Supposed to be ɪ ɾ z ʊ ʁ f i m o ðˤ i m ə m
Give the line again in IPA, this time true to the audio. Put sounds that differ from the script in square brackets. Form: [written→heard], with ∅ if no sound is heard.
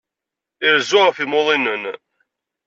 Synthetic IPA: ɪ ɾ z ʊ ʁ f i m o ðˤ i [m→n] ə [m→n]